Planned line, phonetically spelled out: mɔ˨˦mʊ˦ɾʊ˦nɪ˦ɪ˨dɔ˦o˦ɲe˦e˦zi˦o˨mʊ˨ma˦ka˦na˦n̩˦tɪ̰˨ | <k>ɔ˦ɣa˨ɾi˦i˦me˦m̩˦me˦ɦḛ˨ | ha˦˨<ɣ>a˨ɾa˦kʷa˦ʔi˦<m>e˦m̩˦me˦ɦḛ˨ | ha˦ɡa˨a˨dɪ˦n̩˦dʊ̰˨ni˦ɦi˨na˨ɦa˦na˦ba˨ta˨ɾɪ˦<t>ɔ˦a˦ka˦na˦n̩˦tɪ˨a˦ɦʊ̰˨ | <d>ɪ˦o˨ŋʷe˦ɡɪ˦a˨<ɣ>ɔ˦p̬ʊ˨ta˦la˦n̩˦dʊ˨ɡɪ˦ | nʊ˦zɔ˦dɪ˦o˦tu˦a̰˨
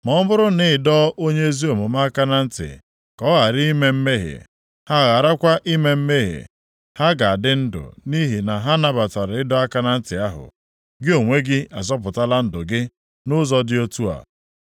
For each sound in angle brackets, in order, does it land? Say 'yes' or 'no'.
yes, yes, yes, no, no, no

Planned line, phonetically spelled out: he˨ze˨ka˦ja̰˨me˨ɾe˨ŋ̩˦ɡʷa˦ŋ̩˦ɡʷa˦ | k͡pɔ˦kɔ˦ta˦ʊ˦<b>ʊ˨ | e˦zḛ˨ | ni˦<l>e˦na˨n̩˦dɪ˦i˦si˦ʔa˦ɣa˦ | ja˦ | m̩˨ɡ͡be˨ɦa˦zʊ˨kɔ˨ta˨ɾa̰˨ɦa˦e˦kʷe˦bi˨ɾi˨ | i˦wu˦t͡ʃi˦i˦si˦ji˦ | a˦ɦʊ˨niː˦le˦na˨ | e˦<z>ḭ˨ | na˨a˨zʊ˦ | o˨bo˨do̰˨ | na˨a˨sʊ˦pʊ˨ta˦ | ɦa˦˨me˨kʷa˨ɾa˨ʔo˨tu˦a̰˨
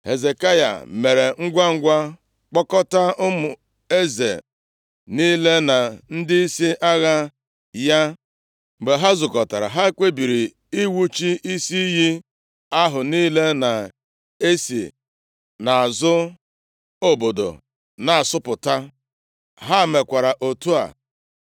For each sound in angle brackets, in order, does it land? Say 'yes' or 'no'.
no, yes, no

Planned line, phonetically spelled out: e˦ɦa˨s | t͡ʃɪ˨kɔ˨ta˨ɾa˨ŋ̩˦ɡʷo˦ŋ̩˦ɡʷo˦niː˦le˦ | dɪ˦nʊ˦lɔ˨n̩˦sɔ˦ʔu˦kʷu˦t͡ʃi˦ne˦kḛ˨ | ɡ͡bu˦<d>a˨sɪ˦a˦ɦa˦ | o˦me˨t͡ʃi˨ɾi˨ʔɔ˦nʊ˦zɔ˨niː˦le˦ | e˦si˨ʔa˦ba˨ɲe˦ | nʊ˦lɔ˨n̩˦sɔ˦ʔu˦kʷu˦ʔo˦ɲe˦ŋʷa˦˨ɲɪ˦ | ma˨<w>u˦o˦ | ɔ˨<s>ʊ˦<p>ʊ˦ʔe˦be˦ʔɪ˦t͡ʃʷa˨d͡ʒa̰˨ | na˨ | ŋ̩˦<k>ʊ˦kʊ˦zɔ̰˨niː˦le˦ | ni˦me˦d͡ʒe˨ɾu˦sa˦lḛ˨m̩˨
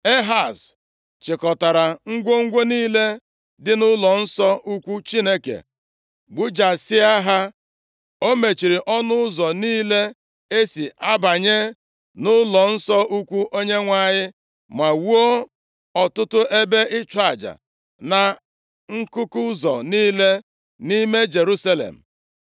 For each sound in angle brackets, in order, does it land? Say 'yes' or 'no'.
no, yes, no, no, yes

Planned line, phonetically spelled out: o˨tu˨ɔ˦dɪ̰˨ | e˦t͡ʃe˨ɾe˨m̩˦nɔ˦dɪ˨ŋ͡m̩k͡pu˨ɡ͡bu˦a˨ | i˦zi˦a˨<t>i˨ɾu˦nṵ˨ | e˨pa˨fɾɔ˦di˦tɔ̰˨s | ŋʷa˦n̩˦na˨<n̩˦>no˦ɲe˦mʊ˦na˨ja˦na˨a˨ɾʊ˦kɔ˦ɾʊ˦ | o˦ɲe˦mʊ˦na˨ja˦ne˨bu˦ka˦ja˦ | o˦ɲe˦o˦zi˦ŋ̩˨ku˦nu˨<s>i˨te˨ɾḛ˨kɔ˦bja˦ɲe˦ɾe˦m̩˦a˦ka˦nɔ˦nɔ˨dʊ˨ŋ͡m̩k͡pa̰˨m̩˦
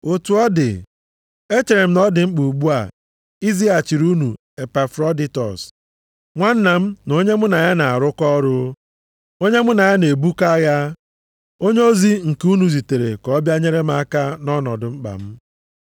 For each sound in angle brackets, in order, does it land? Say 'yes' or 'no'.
no, no, no

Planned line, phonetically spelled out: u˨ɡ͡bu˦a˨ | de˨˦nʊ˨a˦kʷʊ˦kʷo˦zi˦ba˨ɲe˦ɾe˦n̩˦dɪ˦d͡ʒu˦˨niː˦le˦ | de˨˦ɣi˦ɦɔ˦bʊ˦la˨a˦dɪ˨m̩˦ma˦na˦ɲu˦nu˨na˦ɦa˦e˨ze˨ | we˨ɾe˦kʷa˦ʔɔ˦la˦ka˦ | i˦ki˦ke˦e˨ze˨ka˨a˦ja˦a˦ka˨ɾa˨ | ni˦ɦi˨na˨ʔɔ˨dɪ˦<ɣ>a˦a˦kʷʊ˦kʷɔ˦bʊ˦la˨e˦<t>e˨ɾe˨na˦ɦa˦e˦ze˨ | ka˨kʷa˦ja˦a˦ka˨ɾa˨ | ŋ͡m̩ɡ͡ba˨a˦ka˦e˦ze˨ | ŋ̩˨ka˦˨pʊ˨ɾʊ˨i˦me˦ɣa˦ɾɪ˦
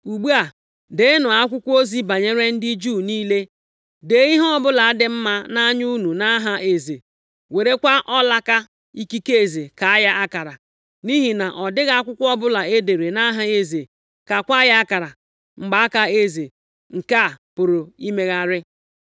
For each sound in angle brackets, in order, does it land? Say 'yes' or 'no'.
yes, no

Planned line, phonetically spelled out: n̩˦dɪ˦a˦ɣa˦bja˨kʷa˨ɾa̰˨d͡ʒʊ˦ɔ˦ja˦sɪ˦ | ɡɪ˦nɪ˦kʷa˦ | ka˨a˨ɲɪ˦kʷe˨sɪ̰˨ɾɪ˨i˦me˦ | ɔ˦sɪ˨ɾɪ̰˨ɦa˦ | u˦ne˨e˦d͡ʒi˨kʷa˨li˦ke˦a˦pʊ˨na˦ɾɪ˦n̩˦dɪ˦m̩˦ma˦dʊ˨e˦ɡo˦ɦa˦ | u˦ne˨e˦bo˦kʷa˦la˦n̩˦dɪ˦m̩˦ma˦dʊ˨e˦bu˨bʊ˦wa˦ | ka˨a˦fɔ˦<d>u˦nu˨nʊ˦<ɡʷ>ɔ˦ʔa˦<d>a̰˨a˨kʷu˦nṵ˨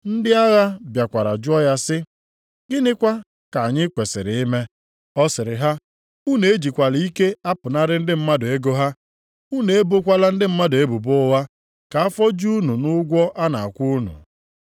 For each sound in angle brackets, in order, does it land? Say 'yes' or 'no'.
no, yes, no

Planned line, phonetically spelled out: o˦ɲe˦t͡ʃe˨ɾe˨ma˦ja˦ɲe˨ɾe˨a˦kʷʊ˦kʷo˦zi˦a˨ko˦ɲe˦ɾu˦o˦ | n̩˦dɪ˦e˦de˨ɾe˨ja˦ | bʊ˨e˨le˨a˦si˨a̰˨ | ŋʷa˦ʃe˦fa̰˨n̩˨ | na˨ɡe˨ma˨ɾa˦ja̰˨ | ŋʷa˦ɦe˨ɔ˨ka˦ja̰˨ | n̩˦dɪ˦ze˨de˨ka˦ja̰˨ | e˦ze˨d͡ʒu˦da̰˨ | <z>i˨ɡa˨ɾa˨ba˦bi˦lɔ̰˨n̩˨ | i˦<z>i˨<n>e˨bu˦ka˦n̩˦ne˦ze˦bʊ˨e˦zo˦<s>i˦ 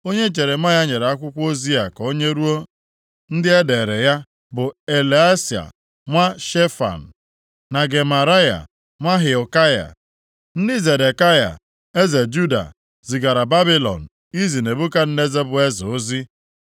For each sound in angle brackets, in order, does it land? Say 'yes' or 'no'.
yes, yes, yes, no

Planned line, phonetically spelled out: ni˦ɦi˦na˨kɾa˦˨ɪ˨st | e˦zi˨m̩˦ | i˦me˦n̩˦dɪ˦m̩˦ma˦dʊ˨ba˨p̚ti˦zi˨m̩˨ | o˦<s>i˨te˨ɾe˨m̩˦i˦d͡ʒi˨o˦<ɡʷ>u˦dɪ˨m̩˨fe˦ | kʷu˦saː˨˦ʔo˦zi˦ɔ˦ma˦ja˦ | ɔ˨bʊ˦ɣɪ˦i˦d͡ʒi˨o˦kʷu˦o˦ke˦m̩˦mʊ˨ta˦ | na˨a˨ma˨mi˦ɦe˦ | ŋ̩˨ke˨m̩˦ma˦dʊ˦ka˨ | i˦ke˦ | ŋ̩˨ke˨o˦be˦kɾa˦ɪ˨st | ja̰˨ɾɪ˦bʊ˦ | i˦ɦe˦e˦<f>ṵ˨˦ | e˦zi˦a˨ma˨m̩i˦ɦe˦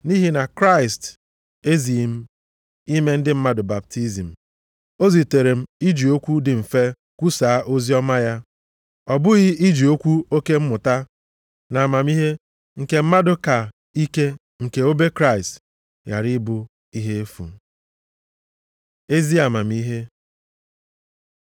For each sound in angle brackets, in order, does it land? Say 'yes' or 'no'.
no, no, yes

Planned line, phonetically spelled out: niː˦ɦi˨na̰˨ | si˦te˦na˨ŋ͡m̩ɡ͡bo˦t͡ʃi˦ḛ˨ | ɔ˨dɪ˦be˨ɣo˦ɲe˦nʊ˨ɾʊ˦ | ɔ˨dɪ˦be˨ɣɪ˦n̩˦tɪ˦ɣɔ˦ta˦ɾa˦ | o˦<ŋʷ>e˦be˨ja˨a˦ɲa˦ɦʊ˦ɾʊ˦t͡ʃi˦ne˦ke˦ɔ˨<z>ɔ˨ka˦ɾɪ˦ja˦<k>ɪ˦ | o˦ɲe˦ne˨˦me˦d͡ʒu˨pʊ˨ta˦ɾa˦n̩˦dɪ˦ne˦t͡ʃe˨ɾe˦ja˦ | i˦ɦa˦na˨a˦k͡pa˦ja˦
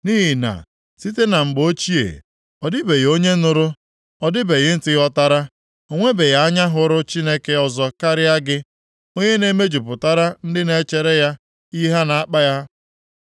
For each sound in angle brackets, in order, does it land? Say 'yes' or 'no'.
yes, yes, no

